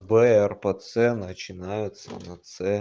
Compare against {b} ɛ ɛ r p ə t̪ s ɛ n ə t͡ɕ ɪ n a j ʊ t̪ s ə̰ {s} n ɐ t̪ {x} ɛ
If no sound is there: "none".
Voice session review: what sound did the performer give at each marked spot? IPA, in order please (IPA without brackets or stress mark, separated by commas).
b, none, s